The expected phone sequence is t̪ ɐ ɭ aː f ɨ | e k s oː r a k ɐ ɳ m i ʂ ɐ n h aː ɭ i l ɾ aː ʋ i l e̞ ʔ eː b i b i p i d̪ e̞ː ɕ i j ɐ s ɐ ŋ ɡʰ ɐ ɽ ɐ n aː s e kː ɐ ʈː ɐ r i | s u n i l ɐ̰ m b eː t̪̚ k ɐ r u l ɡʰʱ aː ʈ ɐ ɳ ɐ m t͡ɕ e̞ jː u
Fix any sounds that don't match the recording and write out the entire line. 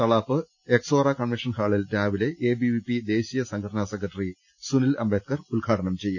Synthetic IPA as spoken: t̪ ɐ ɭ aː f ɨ | e k s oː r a k ɐ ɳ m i ʂ ɐ n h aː ɭ i l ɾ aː ʋ i l e̞ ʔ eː b i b i p i d̪ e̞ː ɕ i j ɐ s ɐ ŋ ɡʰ ɐ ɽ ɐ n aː s e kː ɐ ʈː ɐ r i | s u n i l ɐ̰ m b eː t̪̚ k ɐ r u l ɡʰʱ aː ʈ ɐ ɳ ɐ m t͡ɕ e̞ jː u